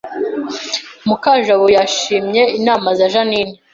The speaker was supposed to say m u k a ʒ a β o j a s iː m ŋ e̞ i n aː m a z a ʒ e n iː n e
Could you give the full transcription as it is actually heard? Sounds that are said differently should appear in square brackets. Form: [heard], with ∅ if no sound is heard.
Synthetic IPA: m u k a ʒ a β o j a [ʃ] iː m [ɲ] e̞ i n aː m a z a ʒ [a] n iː n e

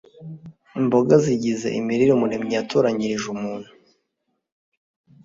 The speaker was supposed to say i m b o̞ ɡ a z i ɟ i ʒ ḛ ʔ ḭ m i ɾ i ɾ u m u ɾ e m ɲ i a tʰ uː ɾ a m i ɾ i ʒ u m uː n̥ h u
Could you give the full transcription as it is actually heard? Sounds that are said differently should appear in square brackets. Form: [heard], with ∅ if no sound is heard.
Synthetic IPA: i m b o̞ ɡ a z i ɟ i [z] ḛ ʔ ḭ m i ɾ i ɾ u m u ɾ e m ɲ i a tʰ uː ɾ a [ɲ] i ɾ i ʒ u m uː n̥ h u

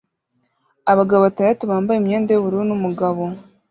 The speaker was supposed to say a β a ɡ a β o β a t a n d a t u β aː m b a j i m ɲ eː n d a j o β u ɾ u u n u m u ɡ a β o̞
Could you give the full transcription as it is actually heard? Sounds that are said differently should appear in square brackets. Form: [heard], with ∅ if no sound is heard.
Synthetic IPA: a β a ɡ a β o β a t a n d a t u β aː m b a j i m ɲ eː n d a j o β u ɾ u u n u m u ɡ a β o̞

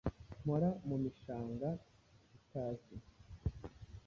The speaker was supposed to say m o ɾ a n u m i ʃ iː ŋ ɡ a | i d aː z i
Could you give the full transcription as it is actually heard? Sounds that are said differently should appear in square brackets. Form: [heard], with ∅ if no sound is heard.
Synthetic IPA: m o ɾ a [m] u m i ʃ [aː] ŋ ɡ a | i [t] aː z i

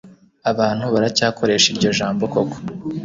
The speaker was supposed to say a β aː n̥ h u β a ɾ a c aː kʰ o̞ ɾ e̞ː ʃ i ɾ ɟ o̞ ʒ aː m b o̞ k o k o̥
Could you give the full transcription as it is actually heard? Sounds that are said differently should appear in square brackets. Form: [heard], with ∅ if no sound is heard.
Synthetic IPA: a β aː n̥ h u β a ɾ a c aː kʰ o̞ ɾ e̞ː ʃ i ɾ ɟ o̞ ʒ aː m b o̞ k o k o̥

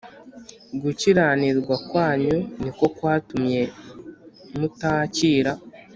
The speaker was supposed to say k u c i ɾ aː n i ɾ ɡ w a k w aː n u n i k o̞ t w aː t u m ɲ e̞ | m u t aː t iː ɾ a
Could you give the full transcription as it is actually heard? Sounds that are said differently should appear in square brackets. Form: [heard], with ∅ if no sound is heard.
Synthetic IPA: [ɡ] u c i ɾ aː n i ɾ ɡ w a k w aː [ɲ] u n i k o̞ [k] w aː t u m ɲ e̞ | m u t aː [c] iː ɾ a

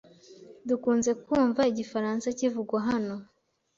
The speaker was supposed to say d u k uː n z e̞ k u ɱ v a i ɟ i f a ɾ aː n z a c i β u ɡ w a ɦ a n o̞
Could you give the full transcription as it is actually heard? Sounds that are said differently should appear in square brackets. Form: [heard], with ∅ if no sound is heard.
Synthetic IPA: d u k uː n z e̞ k [uː] ɱ v a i ɟ i f a ɾ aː n [s] a c i [v] u ɡ w a ɦ a n o̞

